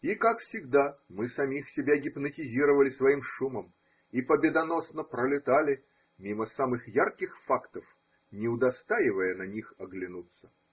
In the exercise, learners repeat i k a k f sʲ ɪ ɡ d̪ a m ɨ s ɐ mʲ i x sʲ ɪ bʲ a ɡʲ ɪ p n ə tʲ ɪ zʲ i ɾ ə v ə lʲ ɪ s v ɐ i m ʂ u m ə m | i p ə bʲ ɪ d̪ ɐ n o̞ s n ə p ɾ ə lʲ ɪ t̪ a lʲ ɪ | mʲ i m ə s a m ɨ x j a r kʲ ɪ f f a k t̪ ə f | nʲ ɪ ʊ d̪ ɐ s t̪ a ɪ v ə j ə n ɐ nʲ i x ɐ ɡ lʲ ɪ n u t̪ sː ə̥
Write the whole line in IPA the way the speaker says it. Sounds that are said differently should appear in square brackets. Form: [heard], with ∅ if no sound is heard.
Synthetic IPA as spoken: i k a k f sʲ ɪ ɡ d̪ a m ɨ s ɐ mʲ i x sʲ ɪ bʲ a ɡʲ ɪ p n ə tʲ ɪ zʲ i ɾ ə v ə lʲ ɪ s v ɐ i m ʂ u m ə m | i p ə bʲ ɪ d̪ ɐ n o̞ s n ə p ɾ ə lʲ ɪ t̪ a lʲ ɪ | mʲ i m ə s a m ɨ x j a r kʲ ɪ [x] f a k t̪ ə f | nʲ ɪ ʊ d̪ ɐ s t̪ a ɪ v ə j ə n ɐ nʲ i x ɐ ɡ lʲ ɪ n u t̪ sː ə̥